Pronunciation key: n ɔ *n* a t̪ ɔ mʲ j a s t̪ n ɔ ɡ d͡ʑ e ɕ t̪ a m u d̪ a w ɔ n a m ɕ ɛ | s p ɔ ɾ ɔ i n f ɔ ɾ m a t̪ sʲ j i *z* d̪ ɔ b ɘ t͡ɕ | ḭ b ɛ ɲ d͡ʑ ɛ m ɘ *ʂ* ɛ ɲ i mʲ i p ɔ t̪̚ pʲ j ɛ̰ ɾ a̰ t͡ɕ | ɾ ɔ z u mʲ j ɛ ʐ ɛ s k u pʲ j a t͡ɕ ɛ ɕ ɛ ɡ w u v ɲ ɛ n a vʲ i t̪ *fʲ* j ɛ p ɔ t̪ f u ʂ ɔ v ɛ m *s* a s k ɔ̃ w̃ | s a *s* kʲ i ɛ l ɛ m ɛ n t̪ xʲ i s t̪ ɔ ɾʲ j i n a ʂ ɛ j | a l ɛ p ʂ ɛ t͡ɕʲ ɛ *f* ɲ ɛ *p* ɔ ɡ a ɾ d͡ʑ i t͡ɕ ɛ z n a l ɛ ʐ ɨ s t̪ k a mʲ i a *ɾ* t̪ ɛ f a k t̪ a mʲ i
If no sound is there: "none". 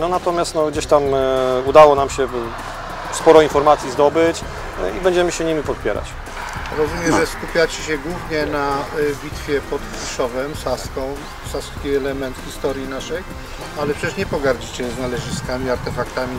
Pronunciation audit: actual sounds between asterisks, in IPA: n, z, ɕ, fʲ, s, s, ʂ, p, ɾ

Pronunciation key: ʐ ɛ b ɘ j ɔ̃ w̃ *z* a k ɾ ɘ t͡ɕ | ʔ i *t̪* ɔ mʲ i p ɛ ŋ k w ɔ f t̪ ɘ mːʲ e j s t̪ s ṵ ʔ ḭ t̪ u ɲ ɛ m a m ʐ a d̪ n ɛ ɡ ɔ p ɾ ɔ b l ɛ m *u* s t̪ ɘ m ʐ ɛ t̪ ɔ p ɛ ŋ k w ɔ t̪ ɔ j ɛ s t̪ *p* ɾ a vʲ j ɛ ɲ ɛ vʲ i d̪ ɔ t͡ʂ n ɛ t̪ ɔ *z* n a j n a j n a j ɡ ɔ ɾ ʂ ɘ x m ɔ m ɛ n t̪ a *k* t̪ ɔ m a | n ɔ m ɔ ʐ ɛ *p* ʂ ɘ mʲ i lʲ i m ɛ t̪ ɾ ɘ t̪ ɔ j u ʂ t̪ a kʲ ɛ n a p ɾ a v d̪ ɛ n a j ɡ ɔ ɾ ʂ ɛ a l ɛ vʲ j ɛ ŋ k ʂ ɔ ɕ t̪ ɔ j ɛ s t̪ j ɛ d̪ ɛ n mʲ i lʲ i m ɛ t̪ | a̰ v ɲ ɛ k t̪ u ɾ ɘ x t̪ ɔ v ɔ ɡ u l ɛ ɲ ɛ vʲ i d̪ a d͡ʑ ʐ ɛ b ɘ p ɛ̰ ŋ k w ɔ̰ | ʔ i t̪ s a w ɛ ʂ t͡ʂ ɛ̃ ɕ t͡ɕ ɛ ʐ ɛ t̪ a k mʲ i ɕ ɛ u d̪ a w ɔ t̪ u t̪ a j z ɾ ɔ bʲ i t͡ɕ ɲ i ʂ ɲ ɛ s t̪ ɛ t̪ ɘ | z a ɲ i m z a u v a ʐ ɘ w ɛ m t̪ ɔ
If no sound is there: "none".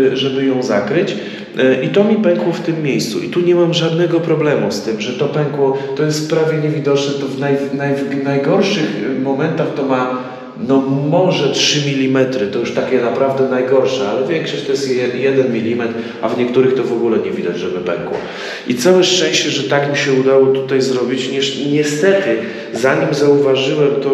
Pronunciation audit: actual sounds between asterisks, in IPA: z, t̪, u, p, v, x, t

